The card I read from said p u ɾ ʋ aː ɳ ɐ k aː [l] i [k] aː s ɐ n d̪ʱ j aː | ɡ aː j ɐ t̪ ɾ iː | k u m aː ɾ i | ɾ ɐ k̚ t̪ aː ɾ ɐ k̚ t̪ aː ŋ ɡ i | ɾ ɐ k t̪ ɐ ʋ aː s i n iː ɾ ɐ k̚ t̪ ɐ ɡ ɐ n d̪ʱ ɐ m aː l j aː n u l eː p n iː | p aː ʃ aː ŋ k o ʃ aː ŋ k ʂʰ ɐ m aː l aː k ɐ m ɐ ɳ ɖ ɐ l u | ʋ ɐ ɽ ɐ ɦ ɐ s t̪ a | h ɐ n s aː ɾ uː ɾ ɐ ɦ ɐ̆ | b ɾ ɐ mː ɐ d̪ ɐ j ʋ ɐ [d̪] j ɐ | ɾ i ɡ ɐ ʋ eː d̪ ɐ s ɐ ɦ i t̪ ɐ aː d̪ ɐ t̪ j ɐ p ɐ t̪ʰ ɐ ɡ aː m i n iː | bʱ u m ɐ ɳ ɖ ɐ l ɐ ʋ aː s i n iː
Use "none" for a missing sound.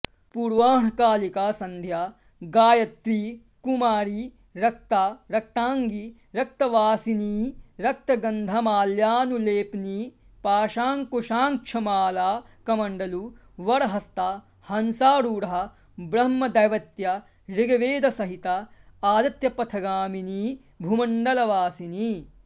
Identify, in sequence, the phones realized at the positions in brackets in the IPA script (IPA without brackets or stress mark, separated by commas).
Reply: l, k, t̪